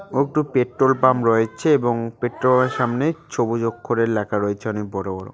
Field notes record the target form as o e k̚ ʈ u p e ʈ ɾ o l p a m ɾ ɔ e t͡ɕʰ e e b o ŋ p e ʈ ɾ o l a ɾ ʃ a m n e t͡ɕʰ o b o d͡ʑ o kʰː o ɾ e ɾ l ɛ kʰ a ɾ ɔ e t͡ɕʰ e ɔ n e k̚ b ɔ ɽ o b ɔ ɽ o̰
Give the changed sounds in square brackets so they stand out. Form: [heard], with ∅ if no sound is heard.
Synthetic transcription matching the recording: o e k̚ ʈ u p e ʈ ɾ o l p a m ɾ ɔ e t͡ɕʰ e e b o ŋ p e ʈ ɾ o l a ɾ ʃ a m n e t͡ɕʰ o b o d͡ʑ o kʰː o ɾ e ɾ l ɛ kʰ a ɾ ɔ e t͡ɕʰ e ɔ n e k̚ b ɔ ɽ o b ɔ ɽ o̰